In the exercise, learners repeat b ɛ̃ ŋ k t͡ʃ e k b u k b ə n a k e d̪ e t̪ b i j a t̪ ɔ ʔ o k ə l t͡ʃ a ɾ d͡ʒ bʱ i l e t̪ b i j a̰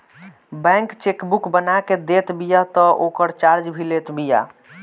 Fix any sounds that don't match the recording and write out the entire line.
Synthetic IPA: b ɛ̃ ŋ k t͡ʃ e k b u k b ə n a k e d̪ e t̪ b i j a t̪ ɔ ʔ o k ə ɾ t͡ʃ a ɾ d͡ʒ bʱ i l e t̪ b i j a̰

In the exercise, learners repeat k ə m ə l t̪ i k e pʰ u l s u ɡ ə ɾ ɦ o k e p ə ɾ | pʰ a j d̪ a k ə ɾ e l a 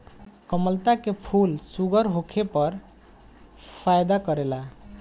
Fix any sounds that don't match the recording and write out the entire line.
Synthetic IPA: k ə m ə l t̪ a k e pʰ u l s u ɡ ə ɾ ɦ o kʰ e p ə ɾ | pʰ a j d̪ a k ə ɾ e l a

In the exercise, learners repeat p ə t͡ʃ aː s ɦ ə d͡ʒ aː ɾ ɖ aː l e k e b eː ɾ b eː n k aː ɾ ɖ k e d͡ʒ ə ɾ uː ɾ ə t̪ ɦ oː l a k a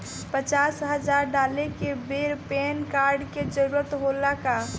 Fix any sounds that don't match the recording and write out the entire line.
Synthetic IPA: p ə t͡ʃ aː s ɦ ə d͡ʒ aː ɾ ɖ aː l e k e b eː ɾ p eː n k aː ɾ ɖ k e d͡ʒ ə ɾ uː ɾ ə t̪ ɦ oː l a k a

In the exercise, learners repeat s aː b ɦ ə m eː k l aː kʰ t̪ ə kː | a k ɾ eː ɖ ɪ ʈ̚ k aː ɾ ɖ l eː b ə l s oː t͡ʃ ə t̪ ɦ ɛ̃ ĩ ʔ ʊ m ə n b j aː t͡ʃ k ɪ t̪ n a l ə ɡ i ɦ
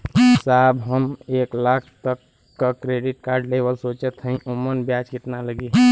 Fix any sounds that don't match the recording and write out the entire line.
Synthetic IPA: s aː b ɦ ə m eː k l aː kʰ t̪ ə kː | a k ɾ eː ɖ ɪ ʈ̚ k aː ɾ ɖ l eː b ə l s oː t͡ʃ ə t̪ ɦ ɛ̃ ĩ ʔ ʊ m ə n b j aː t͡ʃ k ɪ t̪ n a l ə ɡ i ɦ

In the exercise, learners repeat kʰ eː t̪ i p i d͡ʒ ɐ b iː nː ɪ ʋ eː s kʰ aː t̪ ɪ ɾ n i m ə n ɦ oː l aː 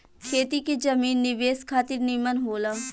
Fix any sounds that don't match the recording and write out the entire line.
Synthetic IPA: kʰ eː t̪ i k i d͡ʒ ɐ m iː nː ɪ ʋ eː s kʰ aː t̪ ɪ ɾ n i m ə n ɦ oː l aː

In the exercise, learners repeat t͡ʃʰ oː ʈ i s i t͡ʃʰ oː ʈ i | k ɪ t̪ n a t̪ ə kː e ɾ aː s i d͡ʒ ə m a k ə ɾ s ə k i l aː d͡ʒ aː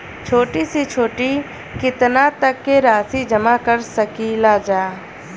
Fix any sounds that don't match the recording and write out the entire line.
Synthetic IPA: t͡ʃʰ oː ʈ i s i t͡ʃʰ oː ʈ i | k ɪ t̪ n a t̪ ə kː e ɾ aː s i d͡ʒ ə m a k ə ɾ s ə k i l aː d͡ʒ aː

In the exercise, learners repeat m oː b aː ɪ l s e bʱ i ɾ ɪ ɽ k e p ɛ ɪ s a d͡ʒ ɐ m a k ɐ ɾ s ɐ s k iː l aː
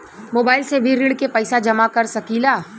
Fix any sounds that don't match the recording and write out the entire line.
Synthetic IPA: m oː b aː ɪ l s e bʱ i ɾ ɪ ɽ k e p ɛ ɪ s a d͡ʒ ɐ m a k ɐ ɾ s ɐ k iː l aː

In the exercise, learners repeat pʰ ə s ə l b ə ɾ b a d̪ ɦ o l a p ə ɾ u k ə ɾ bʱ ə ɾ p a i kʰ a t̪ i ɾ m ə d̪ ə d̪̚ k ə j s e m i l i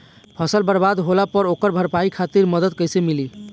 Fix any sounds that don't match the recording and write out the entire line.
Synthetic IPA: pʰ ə s ə l b ə ɾ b a d̪ ɦ o l a p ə ɾ o k ə ɾ bʱ ə ɾ p a i kʰ a t̪ i ɾ m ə d̪ ə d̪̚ k ə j s e m i l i

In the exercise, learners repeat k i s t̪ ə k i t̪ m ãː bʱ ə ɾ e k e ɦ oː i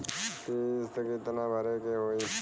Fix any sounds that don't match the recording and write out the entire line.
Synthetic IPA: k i s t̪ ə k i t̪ n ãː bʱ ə ɾ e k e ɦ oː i

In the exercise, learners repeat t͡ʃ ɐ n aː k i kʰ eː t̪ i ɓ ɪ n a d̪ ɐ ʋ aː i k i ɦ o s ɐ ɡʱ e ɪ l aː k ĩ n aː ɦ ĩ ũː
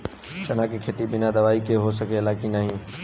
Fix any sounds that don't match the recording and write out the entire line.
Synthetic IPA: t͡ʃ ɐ n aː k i kʰ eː t̪ i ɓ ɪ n a d̪ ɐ ʋ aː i k e ɦ o s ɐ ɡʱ e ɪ l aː k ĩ n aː ɦ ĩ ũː

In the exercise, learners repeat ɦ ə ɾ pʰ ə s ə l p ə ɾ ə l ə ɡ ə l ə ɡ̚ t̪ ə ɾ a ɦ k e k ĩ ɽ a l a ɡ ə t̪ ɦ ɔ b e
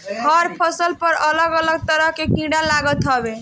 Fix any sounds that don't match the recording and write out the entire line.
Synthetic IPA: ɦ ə ɾ pʰ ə s ə l p ə ɾ ə l ə ɡ ə l ə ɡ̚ t̪ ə ɾ ə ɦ k e k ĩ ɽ a l a ɡ ə t̪ ɦ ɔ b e

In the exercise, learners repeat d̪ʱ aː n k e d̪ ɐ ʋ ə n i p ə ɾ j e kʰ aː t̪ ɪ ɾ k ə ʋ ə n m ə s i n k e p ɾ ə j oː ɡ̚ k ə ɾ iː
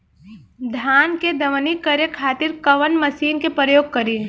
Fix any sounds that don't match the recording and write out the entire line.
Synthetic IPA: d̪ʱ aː n k e d̪ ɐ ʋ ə n i k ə ɾ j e kʰ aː t̪ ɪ ɾ k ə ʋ ə n m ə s iː n k e p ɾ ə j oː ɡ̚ k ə ɾ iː

